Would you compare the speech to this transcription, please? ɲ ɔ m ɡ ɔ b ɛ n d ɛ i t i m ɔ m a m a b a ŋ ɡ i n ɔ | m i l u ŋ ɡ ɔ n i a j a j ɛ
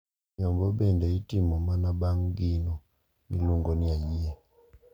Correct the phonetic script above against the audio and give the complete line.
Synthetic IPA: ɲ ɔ m b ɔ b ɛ n d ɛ i t i m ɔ m a n a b a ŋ ɡ i n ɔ | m i l u ŋ ɡ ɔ n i a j i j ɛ